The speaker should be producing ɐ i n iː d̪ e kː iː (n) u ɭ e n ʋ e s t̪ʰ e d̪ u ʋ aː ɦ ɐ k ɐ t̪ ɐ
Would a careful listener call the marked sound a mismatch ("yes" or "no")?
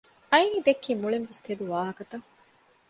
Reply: yes